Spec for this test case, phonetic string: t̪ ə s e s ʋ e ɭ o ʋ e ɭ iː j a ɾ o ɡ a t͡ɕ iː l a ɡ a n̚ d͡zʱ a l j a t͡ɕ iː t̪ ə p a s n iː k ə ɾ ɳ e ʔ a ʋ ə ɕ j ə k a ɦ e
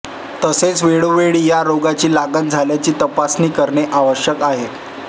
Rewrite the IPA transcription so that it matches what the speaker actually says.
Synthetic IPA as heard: t̪ ə s e t͡s ʋ e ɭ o ʋ e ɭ iː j a ɾ o ɡ a t͡ɕ iː l a ɡ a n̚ d͡zʱ a l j a t͡ɕ iː t̪ ə p a s n iː k ə ɾ ɳ e ʔ a ʋ ə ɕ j ə k a ɦ e